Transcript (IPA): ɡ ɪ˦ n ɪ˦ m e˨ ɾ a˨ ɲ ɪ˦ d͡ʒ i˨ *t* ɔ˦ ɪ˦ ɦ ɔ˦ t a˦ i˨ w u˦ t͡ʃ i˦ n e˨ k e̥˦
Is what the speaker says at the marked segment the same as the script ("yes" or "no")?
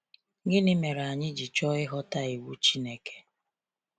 no